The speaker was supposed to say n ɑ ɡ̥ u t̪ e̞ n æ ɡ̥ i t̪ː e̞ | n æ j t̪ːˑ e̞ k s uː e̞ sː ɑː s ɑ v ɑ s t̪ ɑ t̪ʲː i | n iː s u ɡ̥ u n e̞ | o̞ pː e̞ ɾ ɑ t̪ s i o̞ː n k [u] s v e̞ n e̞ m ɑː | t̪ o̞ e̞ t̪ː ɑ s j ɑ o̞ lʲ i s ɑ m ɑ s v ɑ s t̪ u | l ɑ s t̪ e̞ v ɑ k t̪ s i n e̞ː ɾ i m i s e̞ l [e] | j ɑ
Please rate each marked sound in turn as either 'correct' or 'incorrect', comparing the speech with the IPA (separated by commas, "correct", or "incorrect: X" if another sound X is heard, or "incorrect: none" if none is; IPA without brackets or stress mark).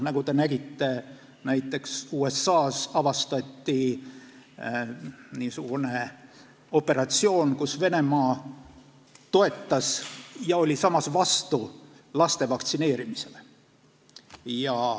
correct, correct